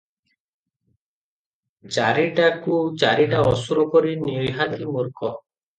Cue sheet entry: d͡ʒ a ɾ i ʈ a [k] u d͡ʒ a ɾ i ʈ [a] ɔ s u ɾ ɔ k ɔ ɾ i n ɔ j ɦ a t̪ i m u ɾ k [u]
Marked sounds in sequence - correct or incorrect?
correct, correct, incorrect

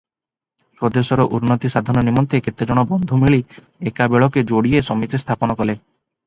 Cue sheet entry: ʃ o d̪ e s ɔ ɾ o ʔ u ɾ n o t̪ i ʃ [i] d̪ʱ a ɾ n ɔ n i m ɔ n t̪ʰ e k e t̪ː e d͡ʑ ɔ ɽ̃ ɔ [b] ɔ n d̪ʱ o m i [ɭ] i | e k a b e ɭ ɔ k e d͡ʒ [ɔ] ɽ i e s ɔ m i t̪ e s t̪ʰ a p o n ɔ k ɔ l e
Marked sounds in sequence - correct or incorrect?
incorrect, correct, correct, incorrect

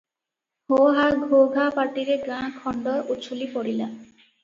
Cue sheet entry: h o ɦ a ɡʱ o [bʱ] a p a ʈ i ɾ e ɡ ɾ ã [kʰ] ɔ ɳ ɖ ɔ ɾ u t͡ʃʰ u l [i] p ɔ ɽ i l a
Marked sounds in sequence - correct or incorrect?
incorrect, correct, correct

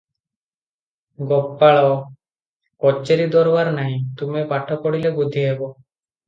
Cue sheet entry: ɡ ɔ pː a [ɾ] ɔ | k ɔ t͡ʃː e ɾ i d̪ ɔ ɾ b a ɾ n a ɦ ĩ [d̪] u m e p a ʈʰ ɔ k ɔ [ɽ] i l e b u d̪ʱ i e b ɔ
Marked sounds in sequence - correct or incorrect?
incorrect, incorrect, correct

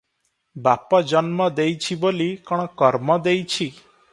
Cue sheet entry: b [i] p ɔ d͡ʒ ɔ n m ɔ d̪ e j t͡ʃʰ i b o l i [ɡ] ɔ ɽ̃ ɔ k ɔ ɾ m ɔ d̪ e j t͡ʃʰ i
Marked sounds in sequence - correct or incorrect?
incorrect, incorrect

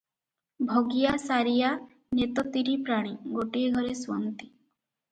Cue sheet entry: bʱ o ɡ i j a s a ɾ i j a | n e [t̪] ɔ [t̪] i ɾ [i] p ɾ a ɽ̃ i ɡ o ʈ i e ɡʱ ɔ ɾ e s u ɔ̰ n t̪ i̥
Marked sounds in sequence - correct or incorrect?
correct, correct, correct

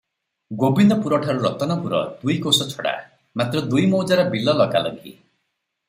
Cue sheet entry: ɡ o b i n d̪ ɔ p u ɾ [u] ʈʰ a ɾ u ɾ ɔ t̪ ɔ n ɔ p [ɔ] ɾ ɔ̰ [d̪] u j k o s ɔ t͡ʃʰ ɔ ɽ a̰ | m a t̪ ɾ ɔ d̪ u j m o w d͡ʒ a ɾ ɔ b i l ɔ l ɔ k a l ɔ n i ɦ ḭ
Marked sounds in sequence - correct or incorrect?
incorrect, incorrect, correct

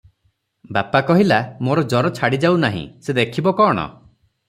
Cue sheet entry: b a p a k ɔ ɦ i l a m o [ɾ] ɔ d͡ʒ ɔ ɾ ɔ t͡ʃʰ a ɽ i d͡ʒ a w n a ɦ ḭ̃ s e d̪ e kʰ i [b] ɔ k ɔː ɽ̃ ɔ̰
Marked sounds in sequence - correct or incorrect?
correct, correct

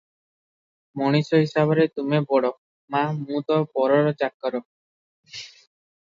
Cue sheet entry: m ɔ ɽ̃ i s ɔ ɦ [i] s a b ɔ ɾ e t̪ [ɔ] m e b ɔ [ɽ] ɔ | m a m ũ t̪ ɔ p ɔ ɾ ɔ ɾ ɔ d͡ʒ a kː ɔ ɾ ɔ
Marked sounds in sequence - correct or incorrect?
correct, incorrect, correct

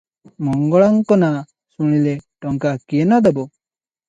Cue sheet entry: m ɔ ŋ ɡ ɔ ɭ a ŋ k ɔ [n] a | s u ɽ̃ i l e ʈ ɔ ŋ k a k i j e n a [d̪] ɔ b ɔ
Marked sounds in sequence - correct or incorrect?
correct, correct

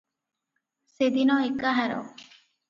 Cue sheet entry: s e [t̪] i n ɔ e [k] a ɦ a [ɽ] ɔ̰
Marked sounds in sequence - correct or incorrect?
incorrect, correct, incorrect

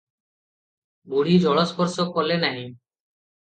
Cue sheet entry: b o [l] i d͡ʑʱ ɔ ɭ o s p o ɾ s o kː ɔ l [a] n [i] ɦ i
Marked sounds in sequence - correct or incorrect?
incorrect, incorrect, incorrect

